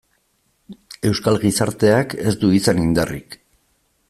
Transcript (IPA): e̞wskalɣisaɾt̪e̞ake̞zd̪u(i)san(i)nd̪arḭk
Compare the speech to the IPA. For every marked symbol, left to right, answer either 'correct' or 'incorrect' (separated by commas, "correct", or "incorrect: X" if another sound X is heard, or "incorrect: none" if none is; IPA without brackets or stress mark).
correct, correct